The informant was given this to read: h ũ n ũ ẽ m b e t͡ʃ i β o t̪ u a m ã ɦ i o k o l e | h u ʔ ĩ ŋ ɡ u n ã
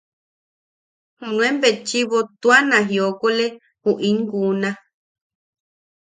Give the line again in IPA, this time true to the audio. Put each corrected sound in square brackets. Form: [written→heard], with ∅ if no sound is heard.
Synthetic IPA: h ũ n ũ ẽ m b e t͡ʃ i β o t̪ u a [m→n] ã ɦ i o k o l e | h u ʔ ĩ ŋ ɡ u n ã